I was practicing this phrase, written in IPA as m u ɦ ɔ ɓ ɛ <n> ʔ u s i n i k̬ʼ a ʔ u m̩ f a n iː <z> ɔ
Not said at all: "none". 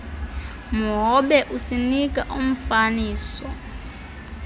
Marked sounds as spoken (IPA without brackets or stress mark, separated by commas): none, s